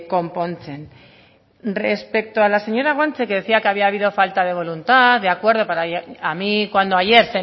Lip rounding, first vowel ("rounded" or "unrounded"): rounded